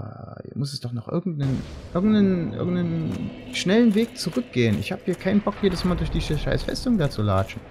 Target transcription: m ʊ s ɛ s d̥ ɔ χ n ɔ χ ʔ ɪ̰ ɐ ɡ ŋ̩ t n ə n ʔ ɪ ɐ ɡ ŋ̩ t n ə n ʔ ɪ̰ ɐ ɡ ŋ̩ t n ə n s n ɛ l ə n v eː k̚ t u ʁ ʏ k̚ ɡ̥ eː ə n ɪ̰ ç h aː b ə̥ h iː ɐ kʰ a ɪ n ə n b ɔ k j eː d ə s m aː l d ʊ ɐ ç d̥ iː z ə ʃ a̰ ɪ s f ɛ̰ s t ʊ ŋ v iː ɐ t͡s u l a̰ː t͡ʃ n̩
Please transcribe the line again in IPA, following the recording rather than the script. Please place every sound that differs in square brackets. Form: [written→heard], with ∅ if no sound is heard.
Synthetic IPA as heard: m ʊ s ɛ s d̥ ɔ χ n ɔ χ ʔ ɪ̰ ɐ ɡ ŋ̩ t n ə n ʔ ɪ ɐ ɡ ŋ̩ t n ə n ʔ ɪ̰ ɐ ɡ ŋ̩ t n ə n [s→ʃ] n ɛ l ə n v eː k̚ [t→t͡s] u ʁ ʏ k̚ ɡ̥ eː ə n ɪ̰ ç h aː b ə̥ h iː ɐ kʰ a ɪ n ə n b ɔ k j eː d ə s m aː l d ʊ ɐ ç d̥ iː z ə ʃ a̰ ɪ s f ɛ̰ s t ʊ ŋ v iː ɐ t͡s u l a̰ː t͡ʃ n̩